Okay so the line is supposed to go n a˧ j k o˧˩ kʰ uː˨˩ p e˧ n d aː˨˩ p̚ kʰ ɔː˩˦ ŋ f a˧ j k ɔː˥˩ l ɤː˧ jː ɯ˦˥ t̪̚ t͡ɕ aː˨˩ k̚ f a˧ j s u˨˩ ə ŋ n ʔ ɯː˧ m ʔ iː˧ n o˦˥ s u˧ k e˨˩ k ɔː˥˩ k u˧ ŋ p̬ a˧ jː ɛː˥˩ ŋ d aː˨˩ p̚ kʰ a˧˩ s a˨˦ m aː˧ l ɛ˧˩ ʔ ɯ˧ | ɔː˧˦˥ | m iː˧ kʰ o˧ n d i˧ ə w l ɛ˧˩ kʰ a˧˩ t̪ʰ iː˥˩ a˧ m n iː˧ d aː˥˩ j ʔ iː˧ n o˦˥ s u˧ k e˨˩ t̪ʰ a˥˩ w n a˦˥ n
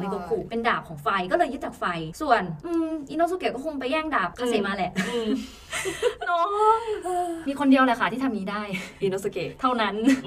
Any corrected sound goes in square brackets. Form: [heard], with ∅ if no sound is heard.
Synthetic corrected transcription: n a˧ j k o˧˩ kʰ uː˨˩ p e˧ n d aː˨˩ p̚ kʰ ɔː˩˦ ŋ f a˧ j k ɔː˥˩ l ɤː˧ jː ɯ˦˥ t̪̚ t͡ɕ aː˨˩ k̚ f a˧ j s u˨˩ ə [∅] n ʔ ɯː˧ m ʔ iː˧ n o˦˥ s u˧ k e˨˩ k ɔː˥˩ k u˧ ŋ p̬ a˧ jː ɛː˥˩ ŋ d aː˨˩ p̚ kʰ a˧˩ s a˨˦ m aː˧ l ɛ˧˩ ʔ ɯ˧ | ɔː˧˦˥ | m iː˧ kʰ o˧ n d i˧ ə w l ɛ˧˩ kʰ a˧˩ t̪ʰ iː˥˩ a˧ m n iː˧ d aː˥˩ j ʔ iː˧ n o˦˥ s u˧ k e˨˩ t̪ʰ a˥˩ w n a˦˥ n